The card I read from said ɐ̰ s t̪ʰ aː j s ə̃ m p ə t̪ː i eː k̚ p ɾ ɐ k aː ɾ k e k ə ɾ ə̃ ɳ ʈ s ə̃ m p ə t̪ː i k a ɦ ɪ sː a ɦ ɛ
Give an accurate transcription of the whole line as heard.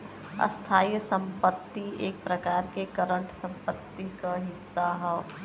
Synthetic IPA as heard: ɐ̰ s t̪ʰ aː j s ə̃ m p ə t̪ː i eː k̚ p ɾ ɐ k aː ɾ k e k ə ɾ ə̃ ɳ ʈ s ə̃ m p ə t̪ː i k a ɦ ɪ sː a ɦ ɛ